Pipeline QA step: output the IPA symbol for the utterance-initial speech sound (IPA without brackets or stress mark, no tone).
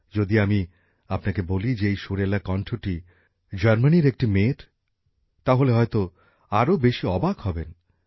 d͡ʑ